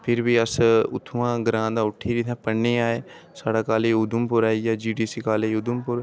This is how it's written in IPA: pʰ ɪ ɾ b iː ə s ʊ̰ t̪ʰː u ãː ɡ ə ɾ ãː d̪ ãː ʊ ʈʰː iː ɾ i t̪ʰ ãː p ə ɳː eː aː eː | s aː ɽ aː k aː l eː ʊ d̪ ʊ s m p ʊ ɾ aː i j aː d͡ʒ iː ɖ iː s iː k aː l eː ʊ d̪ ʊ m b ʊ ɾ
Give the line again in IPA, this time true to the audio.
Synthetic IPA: pʰ ɪ ɾ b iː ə s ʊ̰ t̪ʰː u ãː ɡ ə ɾ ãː d̪ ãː ʊ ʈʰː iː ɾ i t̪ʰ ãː p ə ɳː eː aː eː | s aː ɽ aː k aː l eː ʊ d̪ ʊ m p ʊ ɾ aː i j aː d͡ʒ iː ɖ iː s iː k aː l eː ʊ d̪ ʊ m p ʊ ɾ